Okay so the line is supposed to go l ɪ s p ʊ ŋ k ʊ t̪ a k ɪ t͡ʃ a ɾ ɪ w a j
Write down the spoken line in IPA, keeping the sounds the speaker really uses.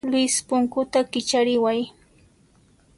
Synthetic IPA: l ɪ s p ʊ ŋ k ʊ t̪ a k ɪ t͡ʃ a ɾ ɪ w a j